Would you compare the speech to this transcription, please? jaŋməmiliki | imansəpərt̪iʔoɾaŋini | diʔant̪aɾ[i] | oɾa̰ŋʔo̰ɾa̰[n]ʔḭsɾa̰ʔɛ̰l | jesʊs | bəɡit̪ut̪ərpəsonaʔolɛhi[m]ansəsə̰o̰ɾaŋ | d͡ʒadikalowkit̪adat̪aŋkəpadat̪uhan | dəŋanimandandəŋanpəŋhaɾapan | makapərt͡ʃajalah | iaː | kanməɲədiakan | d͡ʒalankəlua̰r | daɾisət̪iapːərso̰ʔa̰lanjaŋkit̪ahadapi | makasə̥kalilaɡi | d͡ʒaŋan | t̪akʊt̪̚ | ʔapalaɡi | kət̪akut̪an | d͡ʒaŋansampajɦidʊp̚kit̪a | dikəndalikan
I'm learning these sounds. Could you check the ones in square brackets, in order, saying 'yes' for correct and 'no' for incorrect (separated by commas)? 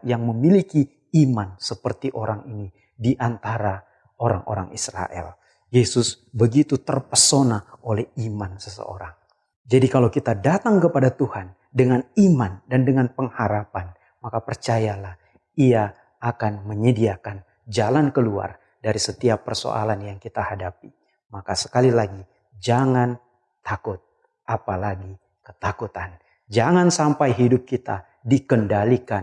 no, no, yes